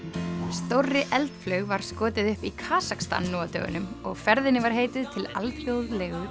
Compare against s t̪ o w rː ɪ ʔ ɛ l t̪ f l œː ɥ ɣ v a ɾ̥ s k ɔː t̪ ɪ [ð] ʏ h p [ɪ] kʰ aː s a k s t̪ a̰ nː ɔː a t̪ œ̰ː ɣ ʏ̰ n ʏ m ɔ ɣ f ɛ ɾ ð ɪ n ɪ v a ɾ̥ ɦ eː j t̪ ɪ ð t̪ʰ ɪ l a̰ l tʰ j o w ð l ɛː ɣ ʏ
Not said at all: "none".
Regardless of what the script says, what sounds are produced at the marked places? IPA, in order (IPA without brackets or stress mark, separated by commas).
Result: ð, i